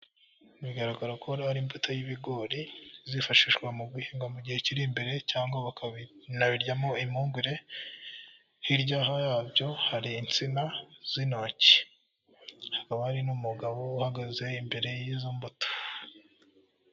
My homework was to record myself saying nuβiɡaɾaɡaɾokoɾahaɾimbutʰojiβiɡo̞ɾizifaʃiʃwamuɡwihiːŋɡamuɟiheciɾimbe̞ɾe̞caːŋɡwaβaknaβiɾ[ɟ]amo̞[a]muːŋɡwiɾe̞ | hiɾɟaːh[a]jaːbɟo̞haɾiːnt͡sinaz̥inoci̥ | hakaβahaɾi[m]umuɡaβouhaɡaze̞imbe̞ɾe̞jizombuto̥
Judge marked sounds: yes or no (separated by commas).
yes, no, yes, no